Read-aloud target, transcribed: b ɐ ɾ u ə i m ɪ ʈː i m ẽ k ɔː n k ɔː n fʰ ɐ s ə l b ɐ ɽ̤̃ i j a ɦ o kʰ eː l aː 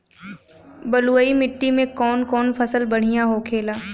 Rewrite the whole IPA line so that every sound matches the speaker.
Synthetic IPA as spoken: b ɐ l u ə i m ɪ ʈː i m ẽ k ɔː n k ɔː n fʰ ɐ s ə l b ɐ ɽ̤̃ i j a ɦ o kʰ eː l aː